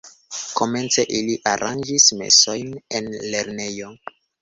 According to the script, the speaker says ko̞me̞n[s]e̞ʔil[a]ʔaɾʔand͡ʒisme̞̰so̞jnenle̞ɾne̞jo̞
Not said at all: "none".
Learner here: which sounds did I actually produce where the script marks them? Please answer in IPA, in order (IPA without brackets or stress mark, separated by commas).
t͡s, i